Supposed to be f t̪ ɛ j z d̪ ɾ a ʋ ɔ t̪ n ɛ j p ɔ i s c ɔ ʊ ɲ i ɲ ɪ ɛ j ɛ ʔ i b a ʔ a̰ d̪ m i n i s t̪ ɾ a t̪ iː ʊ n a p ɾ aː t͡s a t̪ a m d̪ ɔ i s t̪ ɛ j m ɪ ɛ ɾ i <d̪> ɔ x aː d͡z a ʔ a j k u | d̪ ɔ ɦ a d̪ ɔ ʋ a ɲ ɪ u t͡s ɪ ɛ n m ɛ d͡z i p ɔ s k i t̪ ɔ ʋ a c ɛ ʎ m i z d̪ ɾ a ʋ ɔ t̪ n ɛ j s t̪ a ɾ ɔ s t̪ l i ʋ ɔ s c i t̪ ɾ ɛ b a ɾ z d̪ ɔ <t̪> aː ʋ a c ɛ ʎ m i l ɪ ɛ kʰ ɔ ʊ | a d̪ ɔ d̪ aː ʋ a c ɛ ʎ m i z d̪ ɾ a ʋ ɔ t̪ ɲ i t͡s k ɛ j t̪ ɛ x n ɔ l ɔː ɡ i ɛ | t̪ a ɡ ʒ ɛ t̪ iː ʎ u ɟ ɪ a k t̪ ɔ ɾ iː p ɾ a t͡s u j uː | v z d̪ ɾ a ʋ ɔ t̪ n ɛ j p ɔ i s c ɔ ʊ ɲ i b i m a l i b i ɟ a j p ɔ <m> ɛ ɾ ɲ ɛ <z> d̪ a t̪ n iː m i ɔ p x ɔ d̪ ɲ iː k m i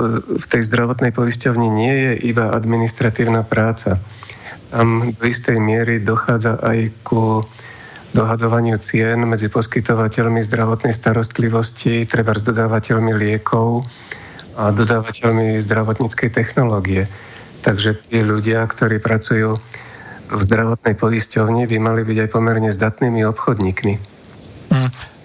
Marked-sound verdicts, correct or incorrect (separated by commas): correct, incorrect, correct, correct